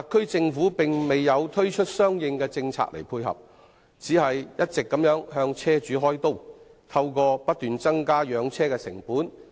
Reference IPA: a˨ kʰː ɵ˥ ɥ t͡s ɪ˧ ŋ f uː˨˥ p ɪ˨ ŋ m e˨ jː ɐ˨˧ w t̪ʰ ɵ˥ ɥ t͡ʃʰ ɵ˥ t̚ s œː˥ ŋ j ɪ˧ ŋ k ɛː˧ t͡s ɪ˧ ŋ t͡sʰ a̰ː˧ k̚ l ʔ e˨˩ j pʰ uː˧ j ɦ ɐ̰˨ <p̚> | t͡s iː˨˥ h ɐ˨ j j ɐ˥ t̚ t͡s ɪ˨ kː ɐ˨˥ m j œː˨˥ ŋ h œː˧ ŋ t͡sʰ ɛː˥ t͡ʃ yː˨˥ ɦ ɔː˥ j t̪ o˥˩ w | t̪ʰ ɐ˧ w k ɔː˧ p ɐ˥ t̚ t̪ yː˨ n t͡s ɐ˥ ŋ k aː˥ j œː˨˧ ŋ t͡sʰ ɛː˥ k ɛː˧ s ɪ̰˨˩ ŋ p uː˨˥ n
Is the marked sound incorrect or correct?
correct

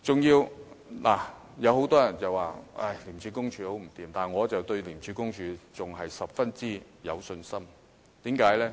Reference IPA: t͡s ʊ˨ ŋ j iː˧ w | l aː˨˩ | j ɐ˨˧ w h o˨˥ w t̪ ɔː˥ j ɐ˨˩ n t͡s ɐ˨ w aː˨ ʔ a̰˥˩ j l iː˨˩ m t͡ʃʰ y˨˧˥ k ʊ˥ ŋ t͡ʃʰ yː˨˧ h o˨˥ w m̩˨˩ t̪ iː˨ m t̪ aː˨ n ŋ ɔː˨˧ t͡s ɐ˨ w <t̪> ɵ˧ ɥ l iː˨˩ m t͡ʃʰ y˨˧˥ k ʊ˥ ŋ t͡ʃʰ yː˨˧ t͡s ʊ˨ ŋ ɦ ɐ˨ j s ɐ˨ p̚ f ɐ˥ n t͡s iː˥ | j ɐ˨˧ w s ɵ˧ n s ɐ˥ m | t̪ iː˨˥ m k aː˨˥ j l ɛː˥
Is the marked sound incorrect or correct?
correct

